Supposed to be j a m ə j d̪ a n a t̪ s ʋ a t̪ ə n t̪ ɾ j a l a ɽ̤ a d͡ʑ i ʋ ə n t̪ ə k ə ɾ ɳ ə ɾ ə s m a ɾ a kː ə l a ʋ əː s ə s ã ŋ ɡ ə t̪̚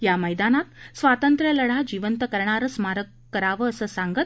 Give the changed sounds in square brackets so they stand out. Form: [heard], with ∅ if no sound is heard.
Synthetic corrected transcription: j a m ə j d̪ a n a t̪ s ʋ a t̪ ə n t̪ ɾ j [ə] l [ə] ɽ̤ a d͡ʑ i ʋ ə n t̪ ə k ə ɾ ɳ [a] ɾ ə s m a ɾ [ə] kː ə [ɾ] a ʋ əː s ə s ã ŋ ɡ ə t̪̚